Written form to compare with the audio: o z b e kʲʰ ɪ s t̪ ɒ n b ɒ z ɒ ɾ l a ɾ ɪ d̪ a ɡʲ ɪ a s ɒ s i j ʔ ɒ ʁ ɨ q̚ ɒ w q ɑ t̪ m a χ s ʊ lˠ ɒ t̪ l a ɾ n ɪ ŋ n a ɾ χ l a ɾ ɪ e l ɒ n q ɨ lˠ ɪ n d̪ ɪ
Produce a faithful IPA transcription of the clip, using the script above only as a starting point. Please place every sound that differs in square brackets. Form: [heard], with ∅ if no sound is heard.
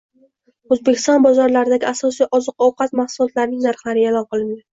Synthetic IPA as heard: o z b e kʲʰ ɪ s t̪ ɒ n b ɒ z ɒ ɾ l a ɾ ɪ d̪ a ɡʲ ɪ a s ɒ s i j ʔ ɒ [z] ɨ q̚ ɒ w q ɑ t̪ m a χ s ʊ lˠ ɒ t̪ l a ɾ n ɪ ŋ n a ɾ χ l a ɾ ɪ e l ɒ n q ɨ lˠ ɪ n d̪ ɪ